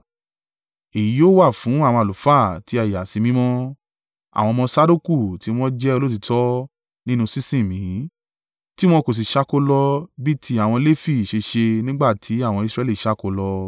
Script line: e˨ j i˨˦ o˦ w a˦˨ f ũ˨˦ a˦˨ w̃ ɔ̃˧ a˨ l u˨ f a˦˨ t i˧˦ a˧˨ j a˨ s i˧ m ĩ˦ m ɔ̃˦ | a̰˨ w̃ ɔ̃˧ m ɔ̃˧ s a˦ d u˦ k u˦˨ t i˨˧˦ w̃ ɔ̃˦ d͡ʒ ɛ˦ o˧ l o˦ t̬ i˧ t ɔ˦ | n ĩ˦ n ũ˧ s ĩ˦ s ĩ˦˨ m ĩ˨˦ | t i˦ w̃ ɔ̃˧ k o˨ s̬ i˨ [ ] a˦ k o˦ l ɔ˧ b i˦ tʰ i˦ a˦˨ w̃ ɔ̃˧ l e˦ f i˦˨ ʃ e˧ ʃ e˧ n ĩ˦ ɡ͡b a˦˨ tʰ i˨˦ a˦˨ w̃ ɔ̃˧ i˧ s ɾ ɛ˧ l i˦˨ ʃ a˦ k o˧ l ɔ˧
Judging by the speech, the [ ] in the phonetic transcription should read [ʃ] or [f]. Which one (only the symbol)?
ʃ